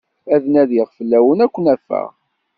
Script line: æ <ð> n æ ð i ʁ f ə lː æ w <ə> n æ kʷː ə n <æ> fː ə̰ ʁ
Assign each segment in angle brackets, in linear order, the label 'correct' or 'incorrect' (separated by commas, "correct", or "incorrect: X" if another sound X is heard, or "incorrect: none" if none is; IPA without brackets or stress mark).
correct, correct, correct